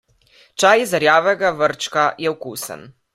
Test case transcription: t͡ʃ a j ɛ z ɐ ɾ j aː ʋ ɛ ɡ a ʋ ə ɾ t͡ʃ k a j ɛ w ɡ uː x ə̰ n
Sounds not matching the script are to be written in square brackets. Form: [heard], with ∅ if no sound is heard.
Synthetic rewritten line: t͡ʃ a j [i] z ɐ ɾ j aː ʋ ɛ ɡ a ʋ ə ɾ t͡ʃ k a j ɛ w [k] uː [s] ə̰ n

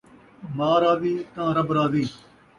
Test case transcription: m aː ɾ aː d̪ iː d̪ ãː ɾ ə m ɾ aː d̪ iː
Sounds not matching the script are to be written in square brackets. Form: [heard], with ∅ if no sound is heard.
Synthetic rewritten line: m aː ɾ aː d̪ iː [t̪] ãː ɾ ə [b] ɾ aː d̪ iː

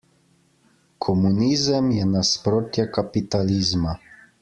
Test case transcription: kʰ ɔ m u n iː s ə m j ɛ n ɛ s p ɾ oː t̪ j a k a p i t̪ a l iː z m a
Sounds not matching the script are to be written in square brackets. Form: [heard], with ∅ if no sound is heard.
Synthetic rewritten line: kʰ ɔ m u n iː [z] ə m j ɛ n [a] s p ɾ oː t̪ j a k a p i t̪ a l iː z m a

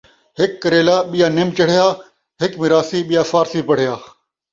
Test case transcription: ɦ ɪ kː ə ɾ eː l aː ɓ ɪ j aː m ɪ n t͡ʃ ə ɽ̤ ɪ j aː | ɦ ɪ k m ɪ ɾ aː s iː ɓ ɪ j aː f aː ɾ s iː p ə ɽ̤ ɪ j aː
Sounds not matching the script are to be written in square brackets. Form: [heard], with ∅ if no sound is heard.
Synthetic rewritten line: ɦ ɪ kː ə ɾ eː l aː ɓ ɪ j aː [n] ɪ [m] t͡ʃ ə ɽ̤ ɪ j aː | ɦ ɪ k m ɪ ɾ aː s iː ɓ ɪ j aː f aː ɾ s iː p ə ɽ̤ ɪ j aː

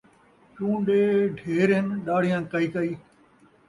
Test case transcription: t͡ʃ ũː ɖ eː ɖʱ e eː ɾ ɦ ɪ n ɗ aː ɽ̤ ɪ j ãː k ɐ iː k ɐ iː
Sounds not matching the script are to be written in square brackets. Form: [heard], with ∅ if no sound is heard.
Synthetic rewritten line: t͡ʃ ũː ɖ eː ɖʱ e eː ɾ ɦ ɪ n ɗ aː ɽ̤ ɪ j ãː k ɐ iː k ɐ iː

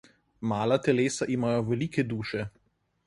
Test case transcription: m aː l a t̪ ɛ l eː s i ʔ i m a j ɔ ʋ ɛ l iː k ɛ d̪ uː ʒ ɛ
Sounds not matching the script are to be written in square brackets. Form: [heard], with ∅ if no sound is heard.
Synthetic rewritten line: m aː l a t̪ ɛ l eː s [a] ʔ i m a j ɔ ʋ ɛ l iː k ɛ d̪ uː [ʃ] ɛ

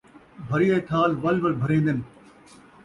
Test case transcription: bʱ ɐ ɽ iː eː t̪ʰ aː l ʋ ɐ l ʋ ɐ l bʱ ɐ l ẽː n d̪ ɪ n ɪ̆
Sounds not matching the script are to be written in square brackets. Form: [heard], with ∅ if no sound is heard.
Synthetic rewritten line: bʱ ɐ [ɾ] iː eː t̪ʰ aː l ʋ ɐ l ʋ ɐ l bʱ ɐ [ɾ] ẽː n d̪ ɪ n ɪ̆

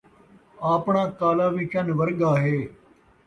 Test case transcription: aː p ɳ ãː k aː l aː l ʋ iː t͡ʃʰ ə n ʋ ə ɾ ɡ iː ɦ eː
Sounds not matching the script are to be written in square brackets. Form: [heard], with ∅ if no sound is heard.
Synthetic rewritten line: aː p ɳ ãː k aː l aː [∅] ʋ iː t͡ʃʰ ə n ʋ ə ɾ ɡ [aː] ɦ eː

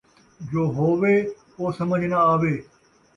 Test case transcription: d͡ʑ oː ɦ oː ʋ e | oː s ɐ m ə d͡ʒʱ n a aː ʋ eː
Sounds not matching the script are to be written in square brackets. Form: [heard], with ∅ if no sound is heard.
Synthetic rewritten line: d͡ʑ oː ɦ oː ʋ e | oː s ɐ m ə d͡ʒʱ n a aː ʋ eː

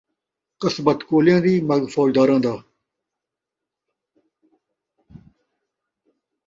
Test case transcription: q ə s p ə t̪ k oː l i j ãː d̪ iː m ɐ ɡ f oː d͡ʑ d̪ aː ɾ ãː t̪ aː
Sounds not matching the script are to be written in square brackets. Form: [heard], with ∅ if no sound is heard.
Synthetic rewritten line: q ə s [b] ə t̪ k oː l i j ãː d̪ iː m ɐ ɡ f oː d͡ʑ d̪ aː ɾ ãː [d̪] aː

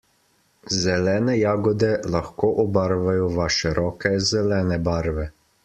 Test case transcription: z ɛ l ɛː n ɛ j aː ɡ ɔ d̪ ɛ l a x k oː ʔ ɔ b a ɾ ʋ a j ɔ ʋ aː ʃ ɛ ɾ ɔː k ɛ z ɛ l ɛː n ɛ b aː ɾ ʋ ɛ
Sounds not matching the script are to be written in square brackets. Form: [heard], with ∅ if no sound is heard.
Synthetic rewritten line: z ɛ l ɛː n ɛ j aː ɡ ɔ d̪ ɛ l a x k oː ʔ ɔ b a ɾ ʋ a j ɔ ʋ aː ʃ ɛ ɾ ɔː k ɛ z ɛ l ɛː n ɛ b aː ɾ ʋ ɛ

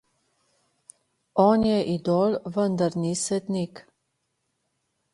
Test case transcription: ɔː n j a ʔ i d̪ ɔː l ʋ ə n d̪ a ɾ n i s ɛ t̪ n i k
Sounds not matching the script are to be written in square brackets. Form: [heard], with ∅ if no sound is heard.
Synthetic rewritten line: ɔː n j [ɛ] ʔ i d̪ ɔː l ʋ ə n d̪ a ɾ n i s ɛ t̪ n i k

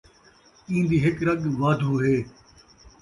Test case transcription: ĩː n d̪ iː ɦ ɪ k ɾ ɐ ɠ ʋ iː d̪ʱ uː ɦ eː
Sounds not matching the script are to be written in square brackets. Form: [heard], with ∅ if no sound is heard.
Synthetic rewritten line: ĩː n d̪ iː ɦ ɪ k ɾ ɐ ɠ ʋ [aː] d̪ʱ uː ɦ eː

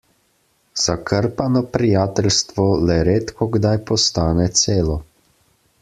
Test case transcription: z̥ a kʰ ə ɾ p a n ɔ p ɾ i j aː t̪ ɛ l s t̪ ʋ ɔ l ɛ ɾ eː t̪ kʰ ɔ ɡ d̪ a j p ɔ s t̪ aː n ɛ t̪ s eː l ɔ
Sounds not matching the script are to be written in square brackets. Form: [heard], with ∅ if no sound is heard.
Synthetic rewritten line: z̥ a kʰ ə ɾ p a n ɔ p ɾ i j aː t̪ ɛ l s t̪ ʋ ɔ l ɛ ɾ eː t̪ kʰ ɔ ɡ d̪ a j p ɔ s t̪ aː n ɛ t̪ s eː l ɔ

